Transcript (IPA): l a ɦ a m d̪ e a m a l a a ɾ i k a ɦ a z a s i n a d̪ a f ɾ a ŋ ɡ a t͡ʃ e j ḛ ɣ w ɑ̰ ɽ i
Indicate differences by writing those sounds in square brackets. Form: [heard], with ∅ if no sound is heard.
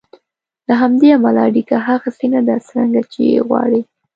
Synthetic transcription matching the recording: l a ɦ a m d̪ e a m a l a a [ɽ] i k a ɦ a [ɣ] a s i n a d̪ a [s] ɾ a ŋ ɡ a t͡ʃ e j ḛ ɣ w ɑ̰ ɽ i